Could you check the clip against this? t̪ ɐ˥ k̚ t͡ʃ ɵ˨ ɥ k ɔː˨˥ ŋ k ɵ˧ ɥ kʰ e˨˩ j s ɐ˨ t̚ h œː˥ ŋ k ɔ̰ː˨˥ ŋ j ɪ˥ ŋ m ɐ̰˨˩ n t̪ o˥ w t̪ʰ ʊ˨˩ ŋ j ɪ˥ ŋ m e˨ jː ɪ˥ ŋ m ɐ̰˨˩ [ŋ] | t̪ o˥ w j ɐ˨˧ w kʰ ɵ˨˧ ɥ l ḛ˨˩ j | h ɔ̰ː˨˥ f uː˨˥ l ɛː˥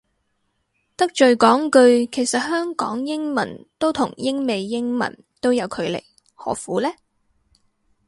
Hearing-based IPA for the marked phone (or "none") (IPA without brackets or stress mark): n